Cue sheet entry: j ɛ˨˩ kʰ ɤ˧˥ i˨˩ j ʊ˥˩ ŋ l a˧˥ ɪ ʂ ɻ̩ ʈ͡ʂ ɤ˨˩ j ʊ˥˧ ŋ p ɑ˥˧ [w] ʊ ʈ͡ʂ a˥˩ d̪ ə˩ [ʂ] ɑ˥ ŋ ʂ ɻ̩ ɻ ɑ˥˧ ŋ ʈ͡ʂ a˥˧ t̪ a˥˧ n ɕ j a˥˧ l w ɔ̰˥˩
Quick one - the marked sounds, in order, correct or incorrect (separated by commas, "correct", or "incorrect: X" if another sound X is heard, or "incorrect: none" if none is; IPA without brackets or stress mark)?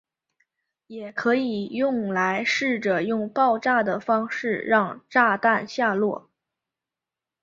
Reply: incorrect: none, incorrect: f